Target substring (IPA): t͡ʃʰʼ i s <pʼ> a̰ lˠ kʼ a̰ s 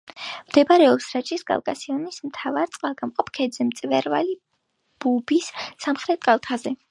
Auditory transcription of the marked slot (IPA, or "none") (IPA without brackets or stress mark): kʼ